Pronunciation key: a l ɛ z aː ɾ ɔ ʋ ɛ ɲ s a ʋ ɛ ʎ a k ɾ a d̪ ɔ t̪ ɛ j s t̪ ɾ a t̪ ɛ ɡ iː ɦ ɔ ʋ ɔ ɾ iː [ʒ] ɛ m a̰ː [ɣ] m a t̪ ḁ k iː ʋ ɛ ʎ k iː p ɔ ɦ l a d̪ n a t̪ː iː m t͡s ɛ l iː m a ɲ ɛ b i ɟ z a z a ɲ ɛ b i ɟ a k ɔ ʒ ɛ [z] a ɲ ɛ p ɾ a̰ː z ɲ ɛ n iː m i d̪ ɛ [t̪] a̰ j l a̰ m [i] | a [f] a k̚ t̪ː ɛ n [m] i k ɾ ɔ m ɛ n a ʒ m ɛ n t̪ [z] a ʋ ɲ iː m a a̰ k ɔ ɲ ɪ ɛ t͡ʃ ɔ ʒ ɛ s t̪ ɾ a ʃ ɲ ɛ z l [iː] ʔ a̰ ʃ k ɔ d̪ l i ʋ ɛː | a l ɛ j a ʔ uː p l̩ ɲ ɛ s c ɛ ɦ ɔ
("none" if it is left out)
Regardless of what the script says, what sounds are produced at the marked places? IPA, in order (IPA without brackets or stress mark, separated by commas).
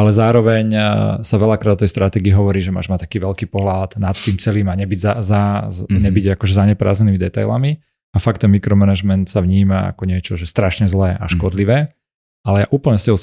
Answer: ʒ, ʒ, z, t̪, i, f, m, s, ɛː